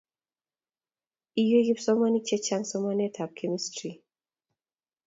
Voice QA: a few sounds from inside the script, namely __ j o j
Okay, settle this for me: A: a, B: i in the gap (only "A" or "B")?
B